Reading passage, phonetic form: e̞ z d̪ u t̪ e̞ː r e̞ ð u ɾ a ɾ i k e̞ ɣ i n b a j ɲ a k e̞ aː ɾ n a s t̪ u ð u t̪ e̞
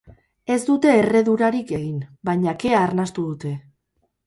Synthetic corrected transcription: e̞ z d̪ u t̪ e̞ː r e̞ ð u ɾ a ɾ i k e̞ ɣ i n b a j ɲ a k e̞ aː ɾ n a s t̪ u ð u t̪ e̞